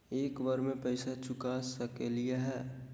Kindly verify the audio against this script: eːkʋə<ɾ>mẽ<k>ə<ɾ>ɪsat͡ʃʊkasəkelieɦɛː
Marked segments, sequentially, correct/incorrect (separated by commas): correct, incorrect, incorrect